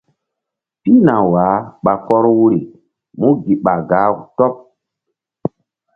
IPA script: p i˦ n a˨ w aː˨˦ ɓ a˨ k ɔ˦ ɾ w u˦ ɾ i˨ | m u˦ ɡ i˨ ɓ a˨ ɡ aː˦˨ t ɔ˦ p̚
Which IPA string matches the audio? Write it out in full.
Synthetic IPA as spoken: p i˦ n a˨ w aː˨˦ ɓ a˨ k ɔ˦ ɾ w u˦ ɾ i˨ | m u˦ ɡ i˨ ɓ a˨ ɡ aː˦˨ t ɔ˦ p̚